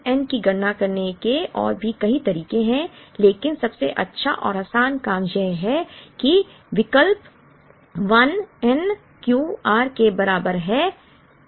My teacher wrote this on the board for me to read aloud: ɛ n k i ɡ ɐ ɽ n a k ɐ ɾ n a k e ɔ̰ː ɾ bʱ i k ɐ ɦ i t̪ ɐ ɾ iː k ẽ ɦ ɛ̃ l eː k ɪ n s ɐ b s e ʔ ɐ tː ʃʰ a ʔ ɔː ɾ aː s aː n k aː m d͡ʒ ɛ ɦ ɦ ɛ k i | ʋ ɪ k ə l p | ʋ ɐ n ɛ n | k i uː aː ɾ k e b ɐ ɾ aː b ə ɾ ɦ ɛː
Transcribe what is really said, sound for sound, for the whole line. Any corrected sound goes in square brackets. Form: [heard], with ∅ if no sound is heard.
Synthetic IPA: ɛ n k i ɡ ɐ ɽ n a k ɐ ɾ n [e] k e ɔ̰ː ɾ bʱ i k ɐ ɦ i t̪ ɐ ɾ iː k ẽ ɦ ɛ̃ l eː k ɪ n s ɐ b s e ʔ ɐ tː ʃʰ a ʔ ɔː ɾ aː s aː n k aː m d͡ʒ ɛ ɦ ɦ ɛ k i | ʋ ɪ k ə l p | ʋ ɐ n ɛ n | k [j] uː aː ɾ k e b ɐ ɾ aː b ə ɾ ɦ ɛː